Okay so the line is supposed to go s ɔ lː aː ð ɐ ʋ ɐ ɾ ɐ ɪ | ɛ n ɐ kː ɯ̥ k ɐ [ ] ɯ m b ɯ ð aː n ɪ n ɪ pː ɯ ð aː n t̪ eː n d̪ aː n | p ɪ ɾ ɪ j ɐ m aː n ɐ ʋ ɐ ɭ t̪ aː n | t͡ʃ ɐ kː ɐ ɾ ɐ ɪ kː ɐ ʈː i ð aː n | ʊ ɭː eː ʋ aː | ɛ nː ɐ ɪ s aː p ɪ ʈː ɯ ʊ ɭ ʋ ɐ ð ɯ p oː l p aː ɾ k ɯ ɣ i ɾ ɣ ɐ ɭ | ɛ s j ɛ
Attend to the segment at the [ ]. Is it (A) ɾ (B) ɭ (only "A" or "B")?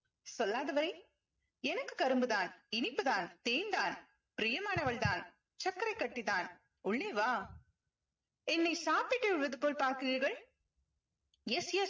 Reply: A